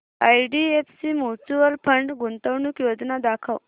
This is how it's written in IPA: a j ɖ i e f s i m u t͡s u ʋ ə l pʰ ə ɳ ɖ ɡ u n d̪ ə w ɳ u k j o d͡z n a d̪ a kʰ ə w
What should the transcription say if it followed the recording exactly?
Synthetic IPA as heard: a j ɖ i e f s i m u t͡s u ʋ ə l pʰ ə ɳ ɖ ɡ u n t̪ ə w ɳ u k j o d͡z n a d̪ a kʰ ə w